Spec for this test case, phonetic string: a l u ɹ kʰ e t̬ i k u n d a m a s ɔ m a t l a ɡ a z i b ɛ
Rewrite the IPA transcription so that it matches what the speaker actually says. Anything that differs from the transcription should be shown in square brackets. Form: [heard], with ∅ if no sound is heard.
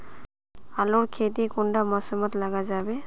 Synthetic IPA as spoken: a l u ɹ kʰ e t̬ i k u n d a m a s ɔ m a t l a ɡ a z [a] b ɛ